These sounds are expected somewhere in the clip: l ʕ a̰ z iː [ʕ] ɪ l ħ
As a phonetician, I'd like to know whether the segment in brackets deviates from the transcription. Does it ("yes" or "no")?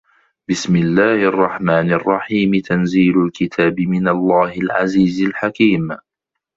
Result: yes